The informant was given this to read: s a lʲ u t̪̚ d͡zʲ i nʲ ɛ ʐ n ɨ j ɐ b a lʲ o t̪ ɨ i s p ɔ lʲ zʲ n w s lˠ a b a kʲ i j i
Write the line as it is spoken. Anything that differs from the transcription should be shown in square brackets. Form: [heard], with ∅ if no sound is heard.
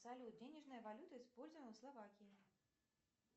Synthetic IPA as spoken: s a lʲ u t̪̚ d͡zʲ [e] nʲ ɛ ʐ n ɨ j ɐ [v] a lʲ [u] t̪ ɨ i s p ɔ lʲ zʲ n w s lˠ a [v] a kʲ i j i